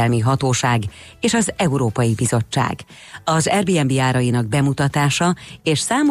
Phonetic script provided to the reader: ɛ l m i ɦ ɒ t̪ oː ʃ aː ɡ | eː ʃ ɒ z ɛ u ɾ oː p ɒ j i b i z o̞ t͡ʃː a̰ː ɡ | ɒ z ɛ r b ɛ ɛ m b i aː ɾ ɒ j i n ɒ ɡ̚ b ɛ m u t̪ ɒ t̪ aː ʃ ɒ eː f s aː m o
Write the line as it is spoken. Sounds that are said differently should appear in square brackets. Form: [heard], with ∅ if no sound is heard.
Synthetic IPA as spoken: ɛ l m i ɦ ɒ t̪ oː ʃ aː ɡ | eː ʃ ɒ z ɛ u ɾ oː p ɒ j i b i z o̞ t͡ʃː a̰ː ɡ | ɒ z ɛ r b [i] ɛ m b i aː ɾ ɒ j i n ɒ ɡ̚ b ɛ m u t̪ ɒ t̪ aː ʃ ɒ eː [ʃ] s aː m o